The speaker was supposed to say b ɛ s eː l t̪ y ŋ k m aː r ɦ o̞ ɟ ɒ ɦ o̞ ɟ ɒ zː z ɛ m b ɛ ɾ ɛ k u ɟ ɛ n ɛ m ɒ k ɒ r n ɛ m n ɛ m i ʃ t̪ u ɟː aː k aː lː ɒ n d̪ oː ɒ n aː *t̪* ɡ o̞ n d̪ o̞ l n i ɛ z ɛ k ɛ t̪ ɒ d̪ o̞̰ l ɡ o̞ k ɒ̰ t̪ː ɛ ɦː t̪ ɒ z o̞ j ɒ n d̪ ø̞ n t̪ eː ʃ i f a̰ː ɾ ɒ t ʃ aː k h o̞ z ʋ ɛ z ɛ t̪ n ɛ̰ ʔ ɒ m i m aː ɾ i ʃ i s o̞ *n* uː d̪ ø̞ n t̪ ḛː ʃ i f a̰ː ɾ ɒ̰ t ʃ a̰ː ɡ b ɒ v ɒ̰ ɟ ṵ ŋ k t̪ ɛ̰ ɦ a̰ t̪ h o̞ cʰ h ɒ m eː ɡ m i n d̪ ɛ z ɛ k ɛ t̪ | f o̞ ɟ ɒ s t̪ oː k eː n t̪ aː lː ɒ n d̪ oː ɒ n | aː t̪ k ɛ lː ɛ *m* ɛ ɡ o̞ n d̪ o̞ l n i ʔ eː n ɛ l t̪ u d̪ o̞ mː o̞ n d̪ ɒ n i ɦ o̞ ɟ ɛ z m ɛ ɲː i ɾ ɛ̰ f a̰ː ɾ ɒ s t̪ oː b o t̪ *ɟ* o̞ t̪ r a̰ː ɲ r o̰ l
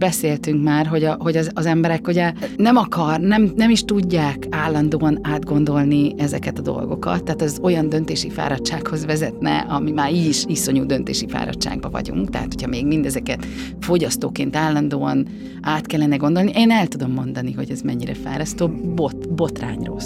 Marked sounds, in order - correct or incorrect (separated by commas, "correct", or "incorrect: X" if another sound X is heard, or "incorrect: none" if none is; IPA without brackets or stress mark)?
incorrect: d̪, incorrect: ɲ, incorrect: n, incorrect: b